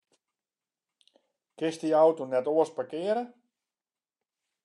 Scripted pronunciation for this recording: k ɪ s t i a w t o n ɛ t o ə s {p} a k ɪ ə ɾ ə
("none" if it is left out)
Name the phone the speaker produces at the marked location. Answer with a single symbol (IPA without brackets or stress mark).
p